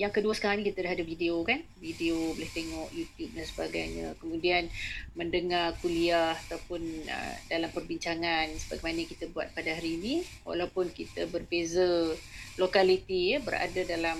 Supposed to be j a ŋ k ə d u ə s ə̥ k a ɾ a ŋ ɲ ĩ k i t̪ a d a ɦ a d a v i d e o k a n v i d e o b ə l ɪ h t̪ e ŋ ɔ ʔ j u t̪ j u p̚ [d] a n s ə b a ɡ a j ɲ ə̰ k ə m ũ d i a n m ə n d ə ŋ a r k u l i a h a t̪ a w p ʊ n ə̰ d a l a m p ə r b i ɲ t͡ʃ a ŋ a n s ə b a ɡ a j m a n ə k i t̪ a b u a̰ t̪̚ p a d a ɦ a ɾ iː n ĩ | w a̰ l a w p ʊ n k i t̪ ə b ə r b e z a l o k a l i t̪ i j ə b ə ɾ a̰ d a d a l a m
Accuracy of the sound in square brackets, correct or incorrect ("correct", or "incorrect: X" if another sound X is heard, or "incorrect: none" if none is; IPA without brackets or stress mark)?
correct